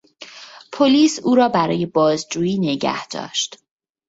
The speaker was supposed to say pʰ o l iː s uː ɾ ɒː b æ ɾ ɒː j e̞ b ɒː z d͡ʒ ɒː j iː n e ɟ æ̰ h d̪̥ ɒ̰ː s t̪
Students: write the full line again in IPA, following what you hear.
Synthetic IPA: pʰ o l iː s uː ɾ ɒː b æ ɾ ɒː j e̞ b ɒː z d͡ʒ uː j iː n e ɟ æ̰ h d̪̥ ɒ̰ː ʃ t̪